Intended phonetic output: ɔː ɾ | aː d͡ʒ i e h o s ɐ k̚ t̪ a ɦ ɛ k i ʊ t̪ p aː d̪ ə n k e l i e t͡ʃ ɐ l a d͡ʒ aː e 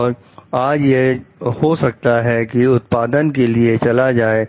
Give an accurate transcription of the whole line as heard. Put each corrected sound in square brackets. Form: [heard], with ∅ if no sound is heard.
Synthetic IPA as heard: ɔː ɾ | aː d͡ʒ [j] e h o s ɐ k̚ t̪ a ɦ ɛ k i ʊ t̪ p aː d̪ ə n k e l i e t͡ʃ ɐ l a d͡ʒ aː e